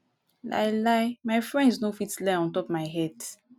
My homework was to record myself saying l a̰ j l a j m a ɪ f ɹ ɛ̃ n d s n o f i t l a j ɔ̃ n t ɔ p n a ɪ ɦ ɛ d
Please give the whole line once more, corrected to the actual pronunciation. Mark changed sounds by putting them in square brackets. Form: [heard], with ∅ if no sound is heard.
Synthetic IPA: l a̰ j l a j m a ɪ f ɹ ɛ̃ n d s n o f i t l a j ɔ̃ n t ɔ p [m] a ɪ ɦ ɛ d

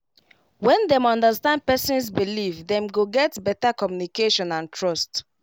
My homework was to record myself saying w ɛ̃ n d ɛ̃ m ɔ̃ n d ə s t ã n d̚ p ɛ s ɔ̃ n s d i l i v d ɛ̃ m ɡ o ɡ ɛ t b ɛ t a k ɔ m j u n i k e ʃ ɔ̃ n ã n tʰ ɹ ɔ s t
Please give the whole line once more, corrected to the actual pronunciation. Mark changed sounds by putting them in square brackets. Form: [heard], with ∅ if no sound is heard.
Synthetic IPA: w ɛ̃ n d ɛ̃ m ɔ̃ n d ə s t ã n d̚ p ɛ s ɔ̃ n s [b] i l i v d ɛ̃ m ɡ o ɡ ɛ t b ɛ t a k ɔ m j u n i k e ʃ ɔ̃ n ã n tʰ ɹ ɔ s t

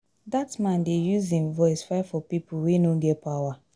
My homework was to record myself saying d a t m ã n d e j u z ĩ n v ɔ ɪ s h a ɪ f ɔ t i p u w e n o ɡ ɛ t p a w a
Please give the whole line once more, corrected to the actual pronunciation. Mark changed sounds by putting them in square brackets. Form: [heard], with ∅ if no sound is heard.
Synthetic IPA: d a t m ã n d e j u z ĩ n v ɔ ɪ s [f] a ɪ f ɔ [p] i p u w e n o ɡ ɛ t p a w a

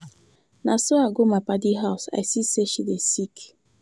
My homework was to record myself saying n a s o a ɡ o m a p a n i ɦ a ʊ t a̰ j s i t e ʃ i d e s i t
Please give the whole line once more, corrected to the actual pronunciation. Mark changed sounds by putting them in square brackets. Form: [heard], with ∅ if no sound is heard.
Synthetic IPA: n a s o a ɡ o m a p a [d] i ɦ a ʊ [s] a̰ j s i [s] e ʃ i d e s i [k]

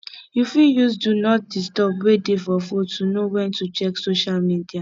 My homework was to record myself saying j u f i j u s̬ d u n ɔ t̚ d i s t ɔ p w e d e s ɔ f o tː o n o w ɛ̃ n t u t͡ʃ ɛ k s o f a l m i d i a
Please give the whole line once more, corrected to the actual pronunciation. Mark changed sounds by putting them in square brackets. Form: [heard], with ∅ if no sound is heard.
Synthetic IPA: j u f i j u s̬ d u n ɔ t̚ d i s t ɔ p w e d e [f] ɔ f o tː [u] n o w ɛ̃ n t u t͡ʃ ɛ k s o [ʃ] a l m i d i a

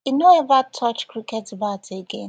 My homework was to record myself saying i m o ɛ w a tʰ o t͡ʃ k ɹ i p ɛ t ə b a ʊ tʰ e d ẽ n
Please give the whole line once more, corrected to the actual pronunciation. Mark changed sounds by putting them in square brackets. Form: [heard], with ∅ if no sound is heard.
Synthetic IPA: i [n] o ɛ [v] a tʰ [ɔ] t͡ʃ k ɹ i [k] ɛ t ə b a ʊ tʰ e [ɡ] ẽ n

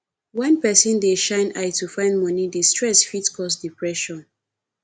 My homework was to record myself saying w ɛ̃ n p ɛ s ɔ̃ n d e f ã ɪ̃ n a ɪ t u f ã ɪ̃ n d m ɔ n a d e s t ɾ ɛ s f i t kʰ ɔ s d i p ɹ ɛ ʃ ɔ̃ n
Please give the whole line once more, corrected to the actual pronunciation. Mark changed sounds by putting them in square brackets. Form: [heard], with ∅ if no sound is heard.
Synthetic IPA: w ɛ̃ n p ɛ s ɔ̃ n d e [ʃ] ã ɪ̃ n a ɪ t u f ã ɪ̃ n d m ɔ n [i] d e s t [ɹ] ɛ s f i t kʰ ɔ s d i p ɹ ɛ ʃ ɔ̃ n

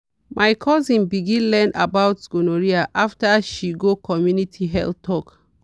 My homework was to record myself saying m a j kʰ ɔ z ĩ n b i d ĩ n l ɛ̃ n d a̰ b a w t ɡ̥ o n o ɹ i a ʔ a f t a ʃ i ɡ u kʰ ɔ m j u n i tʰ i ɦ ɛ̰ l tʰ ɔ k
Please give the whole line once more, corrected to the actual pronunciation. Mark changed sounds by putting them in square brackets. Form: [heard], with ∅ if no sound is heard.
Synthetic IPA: m a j kʰ ɔ z ĩ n b i [ɡ] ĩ n l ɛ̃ n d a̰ b a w t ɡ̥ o n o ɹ i a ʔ a f t a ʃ i ɡ [o] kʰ ɔ m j u n i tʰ i ɦ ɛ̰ l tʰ ɔ k

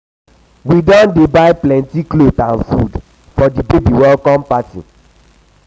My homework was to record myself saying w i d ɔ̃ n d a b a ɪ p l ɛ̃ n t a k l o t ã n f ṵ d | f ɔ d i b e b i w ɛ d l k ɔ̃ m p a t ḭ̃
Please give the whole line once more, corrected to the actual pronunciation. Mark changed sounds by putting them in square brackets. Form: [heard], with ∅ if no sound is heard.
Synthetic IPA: w i d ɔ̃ n d [e] b a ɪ p l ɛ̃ n t [i] k l o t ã n f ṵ d | f ɔ d i b e b i w ɛ [∅] l k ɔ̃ m p a t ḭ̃

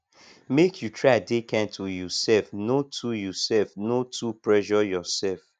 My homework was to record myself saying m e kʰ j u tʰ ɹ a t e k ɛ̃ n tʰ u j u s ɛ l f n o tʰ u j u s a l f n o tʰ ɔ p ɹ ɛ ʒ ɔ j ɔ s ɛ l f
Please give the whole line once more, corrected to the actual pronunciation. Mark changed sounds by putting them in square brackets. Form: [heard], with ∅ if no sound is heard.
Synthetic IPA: m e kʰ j u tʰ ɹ a [d] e k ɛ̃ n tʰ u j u s ɛ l f n o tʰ u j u s [ɛ] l f n o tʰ [u] p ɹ ɛ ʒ ɔ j ɔ s ɛ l f

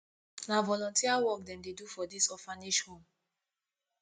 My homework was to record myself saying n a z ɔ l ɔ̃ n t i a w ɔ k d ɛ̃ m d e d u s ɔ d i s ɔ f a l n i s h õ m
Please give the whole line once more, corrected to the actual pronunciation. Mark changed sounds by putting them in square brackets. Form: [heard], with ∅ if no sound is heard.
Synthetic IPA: n a [v] ɔ l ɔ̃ n t i a w ɔ k d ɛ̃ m d e d u [f] ɔ d i s ɔ f a [∅] n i [ʃ] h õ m

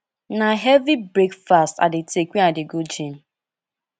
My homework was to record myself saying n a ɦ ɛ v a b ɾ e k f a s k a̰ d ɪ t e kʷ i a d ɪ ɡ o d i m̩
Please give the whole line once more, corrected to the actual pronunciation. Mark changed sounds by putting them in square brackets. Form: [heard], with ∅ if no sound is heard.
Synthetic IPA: n a ɦ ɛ v [i] b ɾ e k f a s [t] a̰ d ɪ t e kʷ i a d ɪ ɡ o [d͡ʒ] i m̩

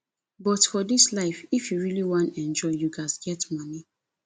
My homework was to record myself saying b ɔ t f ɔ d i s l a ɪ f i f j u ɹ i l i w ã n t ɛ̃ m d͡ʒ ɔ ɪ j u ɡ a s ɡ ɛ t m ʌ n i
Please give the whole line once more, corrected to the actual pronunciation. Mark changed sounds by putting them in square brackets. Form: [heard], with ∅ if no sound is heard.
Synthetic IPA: b ɔ t f ɔ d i s l a ɪ f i f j u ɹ i l i w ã n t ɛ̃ [n] d͡ʒ ɔ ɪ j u ɡ a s ɡ ɛ t m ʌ n i

